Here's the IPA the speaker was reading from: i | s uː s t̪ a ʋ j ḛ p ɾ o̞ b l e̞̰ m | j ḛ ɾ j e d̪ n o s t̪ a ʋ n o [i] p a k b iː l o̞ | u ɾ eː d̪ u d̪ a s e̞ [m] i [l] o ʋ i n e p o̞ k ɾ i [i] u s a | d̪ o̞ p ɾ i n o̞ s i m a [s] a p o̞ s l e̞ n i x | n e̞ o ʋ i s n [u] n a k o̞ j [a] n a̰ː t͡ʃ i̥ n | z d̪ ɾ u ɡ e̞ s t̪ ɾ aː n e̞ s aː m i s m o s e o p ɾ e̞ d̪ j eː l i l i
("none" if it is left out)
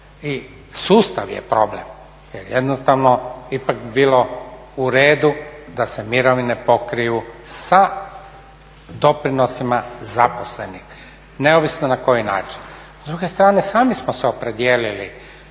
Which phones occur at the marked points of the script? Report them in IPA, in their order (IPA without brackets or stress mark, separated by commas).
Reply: i, m, ɾ, j, z, o, i